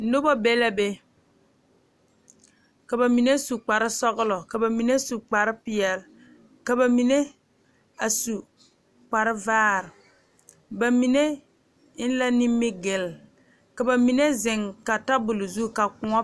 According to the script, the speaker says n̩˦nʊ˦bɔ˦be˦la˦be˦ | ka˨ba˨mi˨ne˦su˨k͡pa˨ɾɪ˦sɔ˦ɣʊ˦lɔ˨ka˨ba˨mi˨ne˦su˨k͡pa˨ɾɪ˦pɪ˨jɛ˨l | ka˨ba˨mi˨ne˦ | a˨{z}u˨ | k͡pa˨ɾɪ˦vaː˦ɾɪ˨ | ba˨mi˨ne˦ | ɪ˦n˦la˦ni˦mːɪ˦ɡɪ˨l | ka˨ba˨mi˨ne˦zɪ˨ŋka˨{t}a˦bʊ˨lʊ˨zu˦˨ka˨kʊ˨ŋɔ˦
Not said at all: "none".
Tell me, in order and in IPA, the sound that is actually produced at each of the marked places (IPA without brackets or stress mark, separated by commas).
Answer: s, t